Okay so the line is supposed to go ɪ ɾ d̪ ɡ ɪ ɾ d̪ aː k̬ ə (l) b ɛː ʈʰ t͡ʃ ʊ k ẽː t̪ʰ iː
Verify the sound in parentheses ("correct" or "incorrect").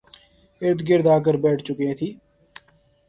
incorrect